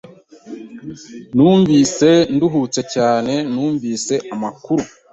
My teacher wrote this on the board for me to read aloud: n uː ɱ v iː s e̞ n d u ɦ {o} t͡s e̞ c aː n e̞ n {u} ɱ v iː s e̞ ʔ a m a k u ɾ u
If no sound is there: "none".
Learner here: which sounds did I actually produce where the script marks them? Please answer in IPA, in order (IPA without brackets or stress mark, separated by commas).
u, uː